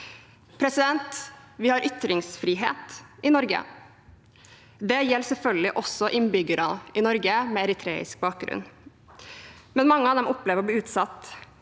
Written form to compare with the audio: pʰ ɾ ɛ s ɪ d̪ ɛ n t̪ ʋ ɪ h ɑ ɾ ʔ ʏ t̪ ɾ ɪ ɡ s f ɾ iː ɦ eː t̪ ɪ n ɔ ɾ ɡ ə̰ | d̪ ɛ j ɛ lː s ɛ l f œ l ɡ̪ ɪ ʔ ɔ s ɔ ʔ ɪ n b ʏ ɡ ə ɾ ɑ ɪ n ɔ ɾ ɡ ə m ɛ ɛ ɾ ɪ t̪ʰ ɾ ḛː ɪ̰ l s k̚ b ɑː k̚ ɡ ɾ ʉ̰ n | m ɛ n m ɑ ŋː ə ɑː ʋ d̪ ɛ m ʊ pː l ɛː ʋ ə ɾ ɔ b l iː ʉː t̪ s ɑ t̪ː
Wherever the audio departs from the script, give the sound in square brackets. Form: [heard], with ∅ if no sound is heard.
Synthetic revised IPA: pʰ ɾ ɛ s ɪ d̪ ɛ n t̪ ʋ ɪ h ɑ ɾ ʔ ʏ t̪ ɾ ɪ [ŋ] s f ɾ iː ɦ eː t̪ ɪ n ɔ ɾ ɡ ə̰ | d̪ ɛ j ɛ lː s ɛ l f œ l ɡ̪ ɪ ʔ ɔ s ɔ ʔ ɪ n b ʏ ɡ ə ɾ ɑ ɪ n ɔ ɾ ɡ ə m ɛ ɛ ɾ ɪ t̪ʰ ɾ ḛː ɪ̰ [∅] s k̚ b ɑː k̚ ɡ ɾ ʉ̰ n | m ɛ n m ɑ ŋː ə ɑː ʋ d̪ ɛ m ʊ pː l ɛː ʋ ə ɾ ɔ b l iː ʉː t̪ s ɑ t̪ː

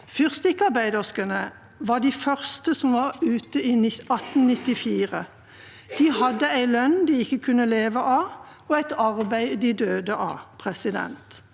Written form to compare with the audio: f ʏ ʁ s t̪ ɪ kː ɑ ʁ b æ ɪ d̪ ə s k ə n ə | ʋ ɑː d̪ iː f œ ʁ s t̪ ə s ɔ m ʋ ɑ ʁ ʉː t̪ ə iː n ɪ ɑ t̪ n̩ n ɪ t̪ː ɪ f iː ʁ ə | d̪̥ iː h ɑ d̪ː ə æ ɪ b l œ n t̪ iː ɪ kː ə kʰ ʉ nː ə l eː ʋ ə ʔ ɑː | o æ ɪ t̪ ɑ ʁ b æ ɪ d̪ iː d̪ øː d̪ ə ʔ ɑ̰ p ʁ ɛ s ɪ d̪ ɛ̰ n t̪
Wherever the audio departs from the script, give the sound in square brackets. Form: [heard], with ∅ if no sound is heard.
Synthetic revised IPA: f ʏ ʁ s t̪ ɪ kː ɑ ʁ b æ ɪ d̪ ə s k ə n ə | ʋ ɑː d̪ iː f œ ʁ s t̪ ə s ɔ m ʋ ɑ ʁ ʉː t̪ ə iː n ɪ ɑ t̪ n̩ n ɪ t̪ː ɪ f iː ʁ ə | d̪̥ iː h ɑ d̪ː ə æ ɪ [∅] l œ n [d̪] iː ɪ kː ə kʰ ʉ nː ə l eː ʋ ə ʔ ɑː | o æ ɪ t̪ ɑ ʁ b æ ɪ d̪ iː d̪ øː d̪ ə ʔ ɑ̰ [pʰ] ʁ ɛ s ɪ d̪ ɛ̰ n t̪

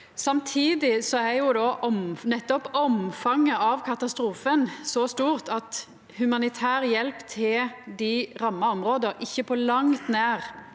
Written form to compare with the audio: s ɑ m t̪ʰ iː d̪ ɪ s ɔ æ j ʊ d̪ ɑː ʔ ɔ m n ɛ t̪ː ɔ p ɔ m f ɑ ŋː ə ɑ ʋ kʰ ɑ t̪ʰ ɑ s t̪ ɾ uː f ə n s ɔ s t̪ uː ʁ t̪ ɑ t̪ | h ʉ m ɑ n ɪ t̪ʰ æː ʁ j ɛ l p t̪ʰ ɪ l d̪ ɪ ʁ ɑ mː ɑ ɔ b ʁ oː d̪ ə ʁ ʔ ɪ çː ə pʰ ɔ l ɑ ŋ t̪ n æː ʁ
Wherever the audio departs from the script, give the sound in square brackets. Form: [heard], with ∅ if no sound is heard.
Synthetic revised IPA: s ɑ m t̪ʰ iː d̪ ɪ s ɔ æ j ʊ d̪ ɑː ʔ ɔ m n ɛ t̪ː ɔ p ɔ m f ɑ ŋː ə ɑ ʋ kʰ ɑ [t̪] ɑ s t̪ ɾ uː f ə n s ɔ s t̪ uː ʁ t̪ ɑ t̪ | h ʉ m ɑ n ɪ t̪ʰ æː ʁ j ɛ l p t̪ʰ ɪ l d̪ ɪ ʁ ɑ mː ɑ ɔ [m] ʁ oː d̪ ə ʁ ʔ ɪ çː ə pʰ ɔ l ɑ ŋ t̪ n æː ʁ

